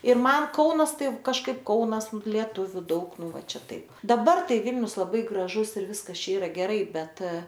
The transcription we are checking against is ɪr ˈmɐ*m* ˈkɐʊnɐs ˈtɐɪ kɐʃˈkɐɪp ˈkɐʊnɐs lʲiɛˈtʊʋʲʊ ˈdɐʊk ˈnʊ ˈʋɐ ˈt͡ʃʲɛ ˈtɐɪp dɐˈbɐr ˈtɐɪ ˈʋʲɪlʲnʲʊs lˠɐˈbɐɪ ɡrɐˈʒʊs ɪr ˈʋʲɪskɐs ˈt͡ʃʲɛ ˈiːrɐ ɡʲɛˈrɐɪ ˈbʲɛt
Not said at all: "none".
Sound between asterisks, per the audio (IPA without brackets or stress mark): n